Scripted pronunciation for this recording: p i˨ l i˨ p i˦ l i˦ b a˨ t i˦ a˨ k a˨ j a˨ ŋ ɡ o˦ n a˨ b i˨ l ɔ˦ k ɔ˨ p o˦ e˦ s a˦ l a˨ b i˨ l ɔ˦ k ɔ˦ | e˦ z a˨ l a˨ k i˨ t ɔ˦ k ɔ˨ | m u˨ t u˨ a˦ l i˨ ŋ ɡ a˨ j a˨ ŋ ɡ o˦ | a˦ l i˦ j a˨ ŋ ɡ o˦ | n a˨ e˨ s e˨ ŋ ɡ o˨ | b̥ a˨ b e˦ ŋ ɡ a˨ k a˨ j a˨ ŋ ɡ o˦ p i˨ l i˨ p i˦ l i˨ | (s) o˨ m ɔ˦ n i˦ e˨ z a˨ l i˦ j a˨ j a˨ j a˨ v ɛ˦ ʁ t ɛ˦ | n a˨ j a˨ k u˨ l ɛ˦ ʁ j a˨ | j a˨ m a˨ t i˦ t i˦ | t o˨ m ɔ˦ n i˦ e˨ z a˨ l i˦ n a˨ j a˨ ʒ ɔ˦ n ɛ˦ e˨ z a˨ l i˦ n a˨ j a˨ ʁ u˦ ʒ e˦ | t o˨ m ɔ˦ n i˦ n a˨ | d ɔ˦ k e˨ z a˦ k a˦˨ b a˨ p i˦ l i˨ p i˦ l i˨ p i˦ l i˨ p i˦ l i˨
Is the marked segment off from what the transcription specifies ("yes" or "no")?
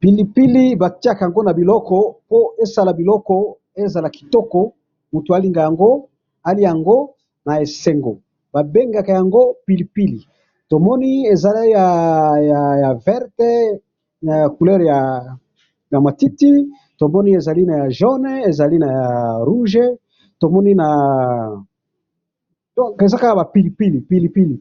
yes